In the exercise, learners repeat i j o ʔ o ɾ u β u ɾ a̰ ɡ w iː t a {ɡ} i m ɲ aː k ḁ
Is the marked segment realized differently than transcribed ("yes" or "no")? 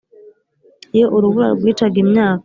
no